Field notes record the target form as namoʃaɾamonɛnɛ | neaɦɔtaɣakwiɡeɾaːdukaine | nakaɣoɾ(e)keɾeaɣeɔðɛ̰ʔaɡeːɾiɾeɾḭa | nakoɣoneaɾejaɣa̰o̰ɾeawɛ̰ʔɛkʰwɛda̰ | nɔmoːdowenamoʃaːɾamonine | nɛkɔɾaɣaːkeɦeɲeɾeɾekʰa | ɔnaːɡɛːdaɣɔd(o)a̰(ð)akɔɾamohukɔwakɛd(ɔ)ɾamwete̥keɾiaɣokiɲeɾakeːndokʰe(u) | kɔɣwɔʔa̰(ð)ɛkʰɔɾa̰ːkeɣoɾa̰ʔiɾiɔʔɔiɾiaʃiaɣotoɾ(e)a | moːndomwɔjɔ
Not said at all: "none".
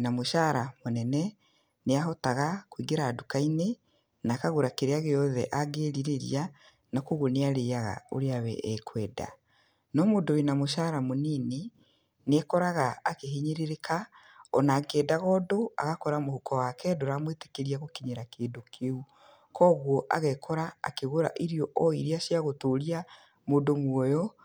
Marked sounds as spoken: a, o, ɣ, o, u, ɣ, i

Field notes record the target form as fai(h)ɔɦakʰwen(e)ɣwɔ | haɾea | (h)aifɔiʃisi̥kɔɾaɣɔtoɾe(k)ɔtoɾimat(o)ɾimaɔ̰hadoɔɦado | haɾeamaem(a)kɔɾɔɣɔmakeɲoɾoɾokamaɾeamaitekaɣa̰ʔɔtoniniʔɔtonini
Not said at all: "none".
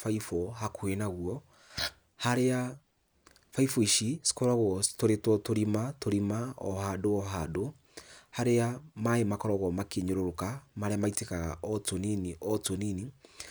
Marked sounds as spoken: f, a, f, t, o, a

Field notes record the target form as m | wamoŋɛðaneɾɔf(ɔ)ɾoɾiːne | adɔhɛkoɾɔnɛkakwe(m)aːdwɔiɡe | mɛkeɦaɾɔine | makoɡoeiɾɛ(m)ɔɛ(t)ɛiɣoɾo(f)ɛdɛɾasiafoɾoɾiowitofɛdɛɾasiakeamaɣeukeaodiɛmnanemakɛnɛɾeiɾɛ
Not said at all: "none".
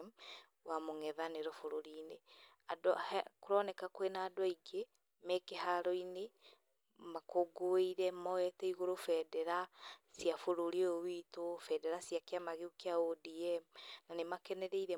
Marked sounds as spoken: o, n, m, t, f

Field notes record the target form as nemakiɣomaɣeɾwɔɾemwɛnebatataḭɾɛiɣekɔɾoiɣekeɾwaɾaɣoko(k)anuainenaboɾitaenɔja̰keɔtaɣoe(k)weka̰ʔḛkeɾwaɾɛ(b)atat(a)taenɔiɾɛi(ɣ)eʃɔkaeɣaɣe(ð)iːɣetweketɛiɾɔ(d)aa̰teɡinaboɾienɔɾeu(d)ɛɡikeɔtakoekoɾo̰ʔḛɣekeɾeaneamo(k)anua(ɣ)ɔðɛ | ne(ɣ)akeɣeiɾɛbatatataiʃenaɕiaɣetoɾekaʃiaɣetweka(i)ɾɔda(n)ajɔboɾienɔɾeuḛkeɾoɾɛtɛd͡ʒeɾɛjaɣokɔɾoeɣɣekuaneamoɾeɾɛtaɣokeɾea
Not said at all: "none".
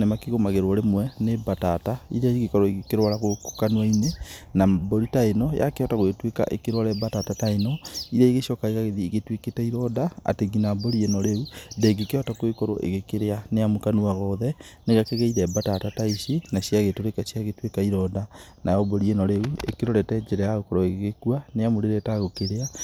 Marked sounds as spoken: k, t, b, a, ɣ, ð, d, d, k, ɣ, ɣ, i, n

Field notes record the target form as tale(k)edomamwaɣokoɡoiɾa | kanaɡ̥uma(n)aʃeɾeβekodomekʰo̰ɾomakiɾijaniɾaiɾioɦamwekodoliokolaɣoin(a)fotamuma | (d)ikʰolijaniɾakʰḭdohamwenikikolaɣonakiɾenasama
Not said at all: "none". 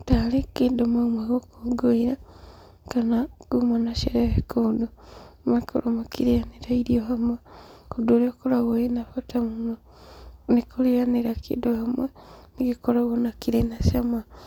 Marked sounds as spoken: k, n, a, n

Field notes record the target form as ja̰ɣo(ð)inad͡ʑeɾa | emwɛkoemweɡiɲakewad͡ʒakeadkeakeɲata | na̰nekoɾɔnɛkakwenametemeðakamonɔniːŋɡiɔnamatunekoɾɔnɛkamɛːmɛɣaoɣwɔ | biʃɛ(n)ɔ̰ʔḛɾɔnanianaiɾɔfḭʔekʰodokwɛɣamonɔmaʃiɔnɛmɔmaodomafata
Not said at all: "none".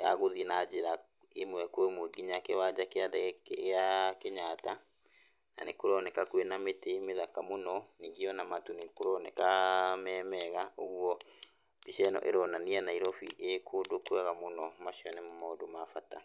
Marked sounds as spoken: ð, n

